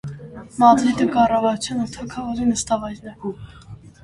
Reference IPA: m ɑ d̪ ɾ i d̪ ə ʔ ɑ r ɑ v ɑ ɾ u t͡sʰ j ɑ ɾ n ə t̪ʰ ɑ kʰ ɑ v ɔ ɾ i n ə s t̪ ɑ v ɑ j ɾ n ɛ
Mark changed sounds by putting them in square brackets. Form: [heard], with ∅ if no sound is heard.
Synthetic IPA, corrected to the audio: m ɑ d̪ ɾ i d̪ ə [k] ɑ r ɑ v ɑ ɾ u t͡sʰ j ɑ [∅] n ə t̪ʰ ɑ kʰ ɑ v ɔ ɾ i n ə s t̪ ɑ v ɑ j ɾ n ɛ